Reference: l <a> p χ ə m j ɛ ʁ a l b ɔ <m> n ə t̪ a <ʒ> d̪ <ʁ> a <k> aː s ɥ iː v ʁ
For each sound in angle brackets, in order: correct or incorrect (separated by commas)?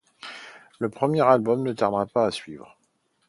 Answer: incorrect, correct, incorrect, correct, incorrect